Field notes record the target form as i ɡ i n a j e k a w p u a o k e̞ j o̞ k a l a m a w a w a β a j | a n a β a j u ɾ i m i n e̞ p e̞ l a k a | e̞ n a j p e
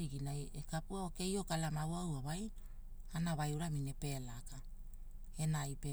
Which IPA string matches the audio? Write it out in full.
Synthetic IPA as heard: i ɡ i n a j e k a p u a o k e̞ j o̞ k a l a m a w a w a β a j | a n a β a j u ɾ a m i n e̞ p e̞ l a k a | e̞ n a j p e